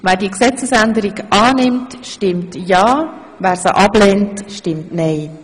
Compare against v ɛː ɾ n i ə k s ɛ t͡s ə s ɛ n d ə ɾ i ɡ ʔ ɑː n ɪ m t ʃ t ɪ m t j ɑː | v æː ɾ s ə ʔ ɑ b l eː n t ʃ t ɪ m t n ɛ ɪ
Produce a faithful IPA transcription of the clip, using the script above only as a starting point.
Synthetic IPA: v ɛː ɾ d i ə k s ɛ t͡s ə s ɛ n d ə ɾ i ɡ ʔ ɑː n ɪ m t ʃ t ɪ m t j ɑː | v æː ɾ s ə ʔ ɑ b l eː n t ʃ t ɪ m t n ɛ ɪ